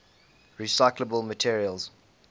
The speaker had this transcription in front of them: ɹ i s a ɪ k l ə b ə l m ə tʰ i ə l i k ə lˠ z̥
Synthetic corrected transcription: ɹ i s a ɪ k l ə b ə l m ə tʰ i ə ɹ i ə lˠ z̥